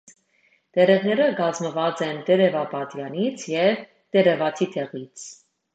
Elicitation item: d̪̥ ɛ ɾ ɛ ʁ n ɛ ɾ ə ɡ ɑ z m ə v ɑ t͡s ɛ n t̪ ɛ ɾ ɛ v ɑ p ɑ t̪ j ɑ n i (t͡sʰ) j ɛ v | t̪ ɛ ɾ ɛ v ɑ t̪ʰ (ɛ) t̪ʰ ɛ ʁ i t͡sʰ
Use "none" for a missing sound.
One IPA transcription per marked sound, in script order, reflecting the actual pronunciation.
t͡sʰ, i

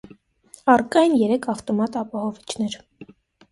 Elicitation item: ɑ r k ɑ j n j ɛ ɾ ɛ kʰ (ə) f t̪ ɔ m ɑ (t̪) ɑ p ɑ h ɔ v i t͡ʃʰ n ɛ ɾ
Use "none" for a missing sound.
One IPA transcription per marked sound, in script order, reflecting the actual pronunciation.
ɑ, t̪

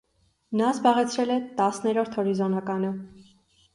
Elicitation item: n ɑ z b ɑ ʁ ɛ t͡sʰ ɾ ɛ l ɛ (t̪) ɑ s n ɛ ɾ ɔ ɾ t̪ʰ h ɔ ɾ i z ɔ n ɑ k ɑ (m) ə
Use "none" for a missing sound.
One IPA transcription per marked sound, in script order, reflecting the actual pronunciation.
t̪, n

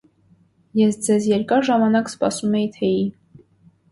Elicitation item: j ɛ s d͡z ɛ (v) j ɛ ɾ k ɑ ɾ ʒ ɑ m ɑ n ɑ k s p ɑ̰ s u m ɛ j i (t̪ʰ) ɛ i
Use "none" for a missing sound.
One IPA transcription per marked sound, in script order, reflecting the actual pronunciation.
z, t̪ʰ

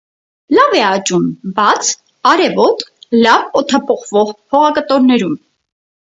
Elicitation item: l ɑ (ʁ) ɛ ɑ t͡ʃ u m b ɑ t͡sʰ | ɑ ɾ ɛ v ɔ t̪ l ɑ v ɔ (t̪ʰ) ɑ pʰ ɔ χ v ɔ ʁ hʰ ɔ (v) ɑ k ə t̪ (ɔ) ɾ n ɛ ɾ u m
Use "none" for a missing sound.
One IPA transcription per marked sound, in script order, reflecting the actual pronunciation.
v, t̪ʰ, ʁ, ɔ

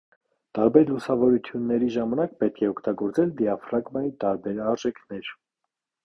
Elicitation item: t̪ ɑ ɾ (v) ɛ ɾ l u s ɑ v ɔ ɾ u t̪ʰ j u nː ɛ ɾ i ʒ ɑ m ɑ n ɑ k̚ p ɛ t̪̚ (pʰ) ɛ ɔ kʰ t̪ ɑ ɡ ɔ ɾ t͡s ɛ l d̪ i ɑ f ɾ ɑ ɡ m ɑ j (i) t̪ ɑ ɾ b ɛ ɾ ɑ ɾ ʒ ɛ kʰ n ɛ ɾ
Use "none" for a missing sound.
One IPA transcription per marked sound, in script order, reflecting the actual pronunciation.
b, kʰ, i

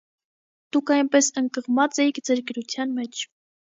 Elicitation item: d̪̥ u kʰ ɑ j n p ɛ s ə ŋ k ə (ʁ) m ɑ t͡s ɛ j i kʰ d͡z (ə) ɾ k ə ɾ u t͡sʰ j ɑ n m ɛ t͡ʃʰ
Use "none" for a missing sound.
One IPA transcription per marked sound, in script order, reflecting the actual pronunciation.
ʁ, ə

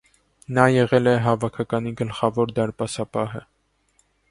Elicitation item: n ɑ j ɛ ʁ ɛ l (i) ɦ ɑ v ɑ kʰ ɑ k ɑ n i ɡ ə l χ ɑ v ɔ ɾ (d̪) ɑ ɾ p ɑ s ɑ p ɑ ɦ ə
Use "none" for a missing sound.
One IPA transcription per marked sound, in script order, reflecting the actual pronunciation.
ɛ, d̪

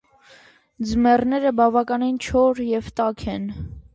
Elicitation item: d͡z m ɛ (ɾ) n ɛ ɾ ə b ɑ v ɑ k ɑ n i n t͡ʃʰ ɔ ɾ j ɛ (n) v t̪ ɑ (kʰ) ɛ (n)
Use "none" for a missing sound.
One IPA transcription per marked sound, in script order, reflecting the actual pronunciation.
r, none, kʰ, n

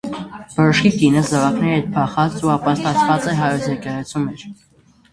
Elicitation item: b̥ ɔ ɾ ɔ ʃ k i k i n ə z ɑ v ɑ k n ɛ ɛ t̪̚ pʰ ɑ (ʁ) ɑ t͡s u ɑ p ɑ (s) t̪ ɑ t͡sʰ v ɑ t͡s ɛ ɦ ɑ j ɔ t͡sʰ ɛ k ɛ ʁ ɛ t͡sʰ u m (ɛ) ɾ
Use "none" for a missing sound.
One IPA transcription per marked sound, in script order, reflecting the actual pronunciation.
χ, s, ɛ

